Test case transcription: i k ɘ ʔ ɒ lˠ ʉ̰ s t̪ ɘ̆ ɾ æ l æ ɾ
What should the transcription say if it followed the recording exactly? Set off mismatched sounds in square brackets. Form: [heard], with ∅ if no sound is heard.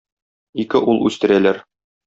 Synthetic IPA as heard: i k ɘ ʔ [u] lˠ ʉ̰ s t̪ ɘ̆ ɾ æ l æ ɾ